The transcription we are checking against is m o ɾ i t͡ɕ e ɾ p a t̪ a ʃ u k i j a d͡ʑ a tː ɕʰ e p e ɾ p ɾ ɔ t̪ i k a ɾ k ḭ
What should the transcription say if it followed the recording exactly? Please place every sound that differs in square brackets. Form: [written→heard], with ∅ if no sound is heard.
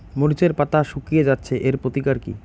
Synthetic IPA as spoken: m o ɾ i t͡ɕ e ɾ p a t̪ a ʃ u k i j [a→e] d͡ʑ a tː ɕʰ e [p→ʔ] e ɾ p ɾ [ɔ→o] t̪ i k a ɾ k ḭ